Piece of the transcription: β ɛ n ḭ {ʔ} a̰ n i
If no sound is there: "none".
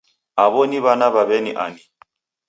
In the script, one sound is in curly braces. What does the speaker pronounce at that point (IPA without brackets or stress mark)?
ʔ